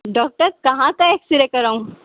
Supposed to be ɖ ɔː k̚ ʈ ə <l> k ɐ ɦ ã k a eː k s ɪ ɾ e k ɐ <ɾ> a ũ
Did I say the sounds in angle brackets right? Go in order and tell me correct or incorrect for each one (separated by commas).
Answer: incorrect, correct